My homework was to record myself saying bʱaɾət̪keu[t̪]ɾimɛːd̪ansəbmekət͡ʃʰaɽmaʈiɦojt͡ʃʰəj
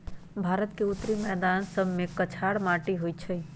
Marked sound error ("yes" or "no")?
no